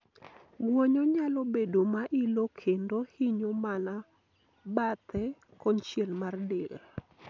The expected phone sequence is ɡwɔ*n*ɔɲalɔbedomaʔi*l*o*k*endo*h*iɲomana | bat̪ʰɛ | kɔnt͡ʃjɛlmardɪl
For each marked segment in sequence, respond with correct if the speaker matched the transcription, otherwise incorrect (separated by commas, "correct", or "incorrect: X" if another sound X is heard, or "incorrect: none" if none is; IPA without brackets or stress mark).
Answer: incorrect: ɲ, correct, incorrect: kʰ, correct